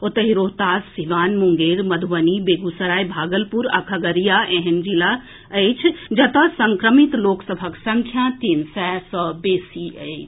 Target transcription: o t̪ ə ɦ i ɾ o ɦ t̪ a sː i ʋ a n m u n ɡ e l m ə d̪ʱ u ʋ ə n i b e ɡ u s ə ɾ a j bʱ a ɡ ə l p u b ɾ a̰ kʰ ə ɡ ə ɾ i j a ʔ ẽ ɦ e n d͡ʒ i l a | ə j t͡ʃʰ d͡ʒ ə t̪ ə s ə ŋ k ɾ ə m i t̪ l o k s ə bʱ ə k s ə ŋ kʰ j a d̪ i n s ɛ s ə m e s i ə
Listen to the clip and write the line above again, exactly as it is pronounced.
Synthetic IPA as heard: o t̪ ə ɦ i ɾ o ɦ t̪ a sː i ʋ a n m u ŋ ɡ e ɾ m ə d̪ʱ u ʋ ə n i b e ɡ u s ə ɾ a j bʱ a ɡ ə l p u ɾ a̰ kʰ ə ɡ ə ɾ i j a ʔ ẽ ɦ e n d͡ʒ i l a | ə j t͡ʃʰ d͡ʒ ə t̪ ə s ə ŋ k ɾ ə m i t̪ l o k s ə bʱ ə k s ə ŋ kʰ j a t̪ i n s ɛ s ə b e s i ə